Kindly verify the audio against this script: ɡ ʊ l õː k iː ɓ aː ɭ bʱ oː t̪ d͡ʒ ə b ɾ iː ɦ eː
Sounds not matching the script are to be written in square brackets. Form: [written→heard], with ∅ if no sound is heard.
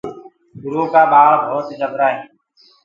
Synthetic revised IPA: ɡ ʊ [l→ɾ] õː k [iː→aː] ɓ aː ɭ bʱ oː t̪ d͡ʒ ə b ɾ [iː→aː] ɦ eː